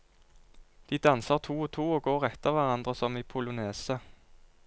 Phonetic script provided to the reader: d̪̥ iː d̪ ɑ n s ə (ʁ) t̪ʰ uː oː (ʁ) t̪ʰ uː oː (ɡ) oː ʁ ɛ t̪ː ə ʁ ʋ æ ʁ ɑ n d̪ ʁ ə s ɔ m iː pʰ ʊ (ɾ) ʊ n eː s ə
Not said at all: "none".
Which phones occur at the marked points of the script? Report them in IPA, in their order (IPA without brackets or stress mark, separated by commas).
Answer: ʁ, none, ɡ, l